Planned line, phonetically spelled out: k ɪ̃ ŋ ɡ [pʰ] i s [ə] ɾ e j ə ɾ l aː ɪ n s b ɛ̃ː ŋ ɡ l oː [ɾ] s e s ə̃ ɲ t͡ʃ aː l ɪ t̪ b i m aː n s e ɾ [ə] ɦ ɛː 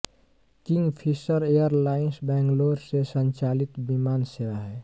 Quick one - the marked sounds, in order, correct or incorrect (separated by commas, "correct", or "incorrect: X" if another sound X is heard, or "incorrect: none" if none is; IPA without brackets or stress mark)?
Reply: correct, correct, correct, incorrect: a